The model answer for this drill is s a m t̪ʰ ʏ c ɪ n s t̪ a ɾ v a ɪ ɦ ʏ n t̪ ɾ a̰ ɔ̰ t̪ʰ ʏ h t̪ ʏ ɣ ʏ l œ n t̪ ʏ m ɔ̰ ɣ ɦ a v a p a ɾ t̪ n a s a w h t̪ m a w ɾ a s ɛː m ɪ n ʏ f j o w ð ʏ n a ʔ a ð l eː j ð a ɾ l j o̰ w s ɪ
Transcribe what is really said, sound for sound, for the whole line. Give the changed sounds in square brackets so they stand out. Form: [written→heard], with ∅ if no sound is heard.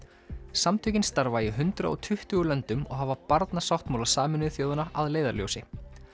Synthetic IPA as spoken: s a m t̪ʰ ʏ c ɪ n s t̪ a ɾ v a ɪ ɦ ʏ n t̪ ɾ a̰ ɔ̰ t̪ʰ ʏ h t̪ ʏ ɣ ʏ l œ n t̪ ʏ m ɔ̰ ɣ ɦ a v a p a ɾ t̪ n a s a w h t̪ m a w [ɾ→l] a s [ɛː→aː] m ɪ n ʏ [f→θ] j o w ð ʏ n a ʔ a ð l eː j ð a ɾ l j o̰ w s ɪ